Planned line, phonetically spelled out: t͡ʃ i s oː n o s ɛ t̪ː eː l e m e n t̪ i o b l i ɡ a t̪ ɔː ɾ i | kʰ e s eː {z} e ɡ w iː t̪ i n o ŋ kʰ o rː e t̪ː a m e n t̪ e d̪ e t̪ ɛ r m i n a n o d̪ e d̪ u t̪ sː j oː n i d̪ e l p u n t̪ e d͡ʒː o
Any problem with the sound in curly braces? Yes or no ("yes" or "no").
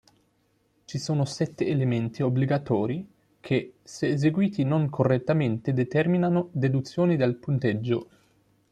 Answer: no